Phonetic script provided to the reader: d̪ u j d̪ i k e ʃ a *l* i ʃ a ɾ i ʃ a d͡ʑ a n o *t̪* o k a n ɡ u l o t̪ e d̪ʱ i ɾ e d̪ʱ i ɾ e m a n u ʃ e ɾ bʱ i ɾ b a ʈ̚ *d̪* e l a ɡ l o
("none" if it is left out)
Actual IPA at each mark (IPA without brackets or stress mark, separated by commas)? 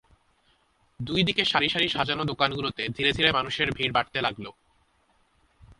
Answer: ɾ, d̪, t̪